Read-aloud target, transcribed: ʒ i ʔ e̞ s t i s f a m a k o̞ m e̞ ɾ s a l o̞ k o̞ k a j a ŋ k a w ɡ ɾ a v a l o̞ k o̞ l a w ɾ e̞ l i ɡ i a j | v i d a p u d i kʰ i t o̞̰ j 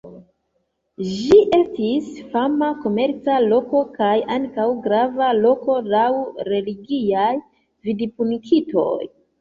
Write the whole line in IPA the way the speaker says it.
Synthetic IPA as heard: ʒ i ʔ e̞ s t i s f a m a k o̞ m e̞ ɾ t͡s a l o̞ k o̞ k a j a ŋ k a w ɡ ɾ a v a l o̞ k o̞ l a w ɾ e̞ l i ɡ i a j | v i d i p u n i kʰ i t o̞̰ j